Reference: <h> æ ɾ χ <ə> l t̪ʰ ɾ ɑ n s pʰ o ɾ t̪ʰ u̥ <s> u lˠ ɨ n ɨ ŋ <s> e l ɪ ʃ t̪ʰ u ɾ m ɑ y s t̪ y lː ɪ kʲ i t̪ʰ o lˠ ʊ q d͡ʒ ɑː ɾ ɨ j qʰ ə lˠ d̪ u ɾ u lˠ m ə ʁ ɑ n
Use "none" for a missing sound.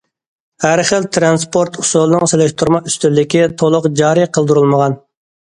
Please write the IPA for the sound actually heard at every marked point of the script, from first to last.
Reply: h, ə, s, s

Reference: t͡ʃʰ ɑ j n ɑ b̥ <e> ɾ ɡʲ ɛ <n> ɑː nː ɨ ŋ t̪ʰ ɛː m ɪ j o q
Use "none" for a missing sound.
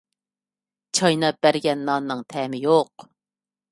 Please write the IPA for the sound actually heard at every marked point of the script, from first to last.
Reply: æ, nː

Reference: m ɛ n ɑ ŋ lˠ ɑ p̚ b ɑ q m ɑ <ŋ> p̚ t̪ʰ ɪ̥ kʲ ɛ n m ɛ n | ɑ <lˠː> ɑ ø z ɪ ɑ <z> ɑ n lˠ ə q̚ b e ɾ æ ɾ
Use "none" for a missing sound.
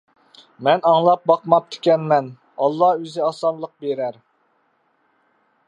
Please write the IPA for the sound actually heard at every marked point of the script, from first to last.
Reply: none, lˠː, s

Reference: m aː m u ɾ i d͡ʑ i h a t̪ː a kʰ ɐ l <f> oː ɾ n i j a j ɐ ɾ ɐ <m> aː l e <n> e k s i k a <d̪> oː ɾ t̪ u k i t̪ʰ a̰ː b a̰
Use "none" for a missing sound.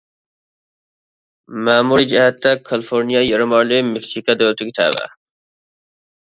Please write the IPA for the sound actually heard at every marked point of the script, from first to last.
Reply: f, m, m, d̪

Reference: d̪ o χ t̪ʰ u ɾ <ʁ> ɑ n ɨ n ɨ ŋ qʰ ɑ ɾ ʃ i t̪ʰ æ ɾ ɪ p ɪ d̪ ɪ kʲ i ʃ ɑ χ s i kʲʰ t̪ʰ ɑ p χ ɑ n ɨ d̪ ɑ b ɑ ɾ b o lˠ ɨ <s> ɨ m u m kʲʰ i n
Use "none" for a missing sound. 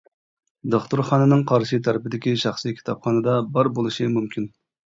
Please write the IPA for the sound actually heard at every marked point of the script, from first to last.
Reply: χ, ʃ

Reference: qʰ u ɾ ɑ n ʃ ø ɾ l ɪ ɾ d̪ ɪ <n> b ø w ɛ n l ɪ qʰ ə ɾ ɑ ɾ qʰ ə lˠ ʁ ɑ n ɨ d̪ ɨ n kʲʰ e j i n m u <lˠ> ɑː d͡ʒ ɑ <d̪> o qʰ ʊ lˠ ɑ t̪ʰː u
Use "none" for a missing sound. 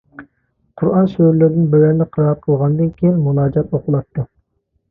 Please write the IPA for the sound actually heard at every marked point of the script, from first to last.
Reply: n, lˠ, t̪

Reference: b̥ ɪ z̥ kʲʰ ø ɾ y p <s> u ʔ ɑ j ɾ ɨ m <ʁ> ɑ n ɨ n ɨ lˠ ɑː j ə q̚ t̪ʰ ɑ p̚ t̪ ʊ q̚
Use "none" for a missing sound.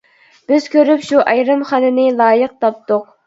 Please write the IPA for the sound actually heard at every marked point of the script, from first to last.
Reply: ʃ, χ

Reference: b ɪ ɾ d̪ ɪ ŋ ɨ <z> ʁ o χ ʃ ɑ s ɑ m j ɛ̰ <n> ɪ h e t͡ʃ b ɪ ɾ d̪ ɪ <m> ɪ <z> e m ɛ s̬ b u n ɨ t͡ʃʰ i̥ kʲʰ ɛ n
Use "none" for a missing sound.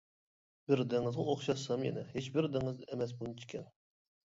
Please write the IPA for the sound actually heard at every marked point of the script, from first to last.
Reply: z, n, ŋ, z

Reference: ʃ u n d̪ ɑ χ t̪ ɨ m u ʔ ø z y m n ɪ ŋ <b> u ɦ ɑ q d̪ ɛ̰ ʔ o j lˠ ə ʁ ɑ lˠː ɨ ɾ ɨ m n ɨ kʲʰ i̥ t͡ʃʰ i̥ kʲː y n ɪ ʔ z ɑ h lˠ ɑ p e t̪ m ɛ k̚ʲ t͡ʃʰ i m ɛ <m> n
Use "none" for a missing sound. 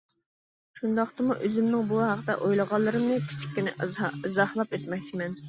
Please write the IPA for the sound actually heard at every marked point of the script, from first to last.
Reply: b, none

